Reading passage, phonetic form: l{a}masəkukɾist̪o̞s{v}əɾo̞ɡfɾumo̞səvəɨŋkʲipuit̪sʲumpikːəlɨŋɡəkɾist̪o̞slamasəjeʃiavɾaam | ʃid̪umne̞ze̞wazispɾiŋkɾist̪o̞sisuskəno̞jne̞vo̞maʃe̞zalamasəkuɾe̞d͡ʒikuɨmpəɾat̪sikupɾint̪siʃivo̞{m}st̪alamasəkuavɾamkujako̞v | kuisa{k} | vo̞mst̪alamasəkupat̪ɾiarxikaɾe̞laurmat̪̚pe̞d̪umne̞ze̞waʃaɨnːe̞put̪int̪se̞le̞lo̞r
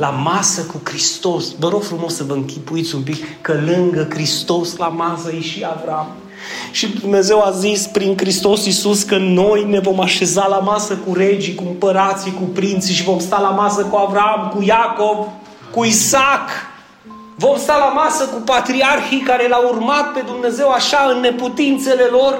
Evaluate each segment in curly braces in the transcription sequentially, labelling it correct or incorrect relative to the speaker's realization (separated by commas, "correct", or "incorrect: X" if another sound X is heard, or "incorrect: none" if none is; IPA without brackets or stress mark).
correct, correct, correct, correct